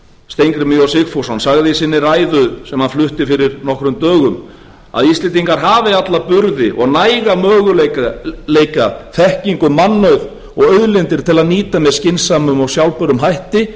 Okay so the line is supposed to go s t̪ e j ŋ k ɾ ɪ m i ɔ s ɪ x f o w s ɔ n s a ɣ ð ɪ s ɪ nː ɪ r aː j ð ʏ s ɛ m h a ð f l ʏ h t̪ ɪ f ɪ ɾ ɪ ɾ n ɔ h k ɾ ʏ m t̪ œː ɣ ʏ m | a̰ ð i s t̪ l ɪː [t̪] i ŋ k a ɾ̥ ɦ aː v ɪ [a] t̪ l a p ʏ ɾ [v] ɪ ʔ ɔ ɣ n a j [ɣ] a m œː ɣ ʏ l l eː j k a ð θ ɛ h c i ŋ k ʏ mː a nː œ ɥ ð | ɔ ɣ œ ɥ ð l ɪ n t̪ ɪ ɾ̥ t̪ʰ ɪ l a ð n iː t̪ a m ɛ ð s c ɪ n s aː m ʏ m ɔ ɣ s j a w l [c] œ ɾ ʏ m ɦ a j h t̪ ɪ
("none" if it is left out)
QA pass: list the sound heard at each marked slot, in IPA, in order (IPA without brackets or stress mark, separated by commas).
t̪, a, ð, ɣ, p